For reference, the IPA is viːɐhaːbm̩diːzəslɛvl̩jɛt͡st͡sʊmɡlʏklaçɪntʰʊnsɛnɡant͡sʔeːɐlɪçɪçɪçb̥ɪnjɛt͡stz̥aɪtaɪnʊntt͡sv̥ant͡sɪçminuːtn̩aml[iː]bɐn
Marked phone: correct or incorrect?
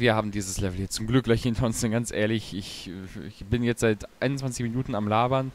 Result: incorrect: aː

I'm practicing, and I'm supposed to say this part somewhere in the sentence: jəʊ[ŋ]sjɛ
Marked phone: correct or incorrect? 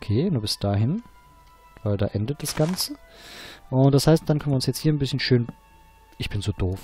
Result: incorrect: n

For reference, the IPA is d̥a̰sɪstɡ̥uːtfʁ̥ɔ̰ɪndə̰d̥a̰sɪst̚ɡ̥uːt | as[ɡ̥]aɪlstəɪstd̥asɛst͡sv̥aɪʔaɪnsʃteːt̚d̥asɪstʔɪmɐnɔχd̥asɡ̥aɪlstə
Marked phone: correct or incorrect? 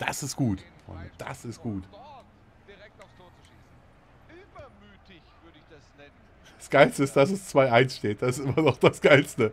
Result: correct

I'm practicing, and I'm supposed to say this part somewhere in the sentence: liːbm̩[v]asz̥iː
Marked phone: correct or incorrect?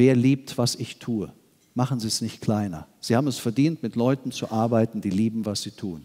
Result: correct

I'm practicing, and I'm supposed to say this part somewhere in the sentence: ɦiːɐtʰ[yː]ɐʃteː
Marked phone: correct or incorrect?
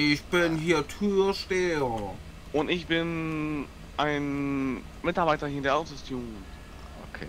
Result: correct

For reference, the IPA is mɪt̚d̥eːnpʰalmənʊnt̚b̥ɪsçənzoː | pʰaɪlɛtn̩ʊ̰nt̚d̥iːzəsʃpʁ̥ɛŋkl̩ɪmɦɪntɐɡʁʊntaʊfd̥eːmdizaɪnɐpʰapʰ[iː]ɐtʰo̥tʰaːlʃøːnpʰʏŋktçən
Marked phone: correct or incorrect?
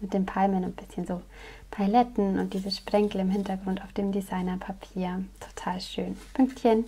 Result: correct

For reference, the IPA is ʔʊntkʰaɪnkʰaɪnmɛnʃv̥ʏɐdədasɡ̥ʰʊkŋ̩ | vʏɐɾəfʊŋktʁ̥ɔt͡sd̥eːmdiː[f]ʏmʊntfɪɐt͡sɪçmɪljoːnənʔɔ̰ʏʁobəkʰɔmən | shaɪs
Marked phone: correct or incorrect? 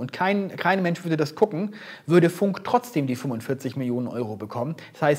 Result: correct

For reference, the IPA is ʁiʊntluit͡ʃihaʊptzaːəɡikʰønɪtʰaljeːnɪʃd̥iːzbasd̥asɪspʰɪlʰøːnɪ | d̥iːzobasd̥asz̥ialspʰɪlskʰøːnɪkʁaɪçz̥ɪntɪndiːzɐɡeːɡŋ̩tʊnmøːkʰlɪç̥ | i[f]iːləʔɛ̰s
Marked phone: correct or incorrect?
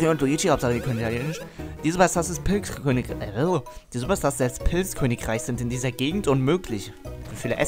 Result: correct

